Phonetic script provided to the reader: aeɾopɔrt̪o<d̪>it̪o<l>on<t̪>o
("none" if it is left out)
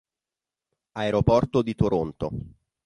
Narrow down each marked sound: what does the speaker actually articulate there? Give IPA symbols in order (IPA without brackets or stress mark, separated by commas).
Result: d̪, ɾ, t̪